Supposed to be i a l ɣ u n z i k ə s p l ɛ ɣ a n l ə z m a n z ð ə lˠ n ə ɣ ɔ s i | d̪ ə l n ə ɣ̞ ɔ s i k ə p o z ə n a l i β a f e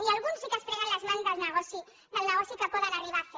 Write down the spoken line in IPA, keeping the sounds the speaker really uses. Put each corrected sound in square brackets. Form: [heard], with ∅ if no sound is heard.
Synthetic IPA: i a l ɣ u n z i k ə s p [ɾ] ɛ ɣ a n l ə z m a n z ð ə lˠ n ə ɣ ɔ s i | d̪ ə l n ə ɣ̞ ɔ s i k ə p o [ð] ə n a [r] i β a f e